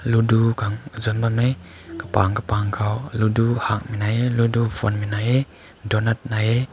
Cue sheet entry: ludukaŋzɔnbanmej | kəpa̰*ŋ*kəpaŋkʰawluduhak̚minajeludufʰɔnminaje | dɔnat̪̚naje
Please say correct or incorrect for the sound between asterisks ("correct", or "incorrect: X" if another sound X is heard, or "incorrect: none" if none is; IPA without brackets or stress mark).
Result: correct